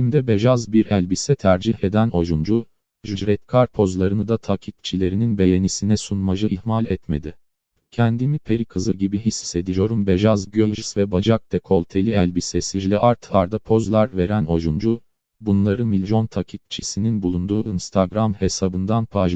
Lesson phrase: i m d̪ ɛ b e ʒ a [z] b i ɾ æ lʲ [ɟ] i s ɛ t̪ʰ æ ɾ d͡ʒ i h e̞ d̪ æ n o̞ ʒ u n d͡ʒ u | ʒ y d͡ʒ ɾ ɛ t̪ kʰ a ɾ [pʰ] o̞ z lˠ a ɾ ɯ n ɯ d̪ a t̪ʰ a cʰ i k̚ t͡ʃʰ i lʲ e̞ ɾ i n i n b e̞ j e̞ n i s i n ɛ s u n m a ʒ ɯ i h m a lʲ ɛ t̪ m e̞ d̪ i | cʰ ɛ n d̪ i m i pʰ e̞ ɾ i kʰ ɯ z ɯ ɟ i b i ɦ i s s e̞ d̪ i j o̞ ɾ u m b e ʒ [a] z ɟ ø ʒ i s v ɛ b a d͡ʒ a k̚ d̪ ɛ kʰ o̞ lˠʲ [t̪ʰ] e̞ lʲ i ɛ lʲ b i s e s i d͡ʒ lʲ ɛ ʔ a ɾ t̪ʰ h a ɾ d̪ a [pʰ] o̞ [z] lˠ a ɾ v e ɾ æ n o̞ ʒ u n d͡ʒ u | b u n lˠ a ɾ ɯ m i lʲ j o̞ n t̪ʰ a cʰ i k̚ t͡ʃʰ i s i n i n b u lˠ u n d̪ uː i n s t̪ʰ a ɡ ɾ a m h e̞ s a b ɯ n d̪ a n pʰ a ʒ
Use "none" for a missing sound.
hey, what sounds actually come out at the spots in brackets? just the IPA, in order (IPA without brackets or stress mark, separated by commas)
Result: z, b, pʰ, a, t̪ʰ, pʰ, z